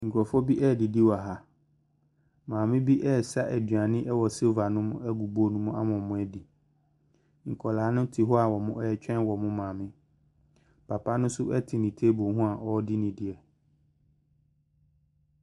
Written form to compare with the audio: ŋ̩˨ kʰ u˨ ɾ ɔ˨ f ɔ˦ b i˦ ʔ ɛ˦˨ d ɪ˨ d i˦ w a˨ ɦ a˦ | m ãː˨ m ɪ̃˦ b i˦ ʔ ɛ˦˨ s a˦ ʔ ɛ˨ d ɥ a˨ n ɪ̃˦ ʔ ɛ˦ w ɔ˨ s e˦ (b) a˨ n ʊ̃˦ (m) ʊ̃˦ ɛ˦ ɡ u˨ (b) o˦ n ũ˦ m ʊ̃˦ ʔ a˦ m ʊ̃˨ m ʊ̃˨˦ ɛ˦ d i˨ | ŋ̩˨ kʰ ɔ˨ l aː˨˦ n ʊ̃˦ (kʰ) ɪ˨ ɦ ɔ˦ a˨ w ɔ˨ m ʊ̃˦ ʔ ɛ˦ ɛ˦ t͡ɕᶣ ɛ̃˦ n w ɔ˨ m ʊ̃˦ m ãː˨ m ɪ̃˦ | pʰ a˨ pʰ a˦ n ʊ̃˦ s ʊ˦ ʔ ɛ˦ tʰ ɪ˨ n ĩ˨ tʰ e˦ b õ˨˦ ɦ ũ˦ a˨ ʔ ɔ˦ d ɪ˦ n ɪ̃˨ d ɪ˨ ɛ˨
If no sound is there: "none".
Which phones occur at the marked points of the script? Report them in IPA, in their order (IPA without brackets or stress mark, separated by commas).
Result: v, m, b, tʰ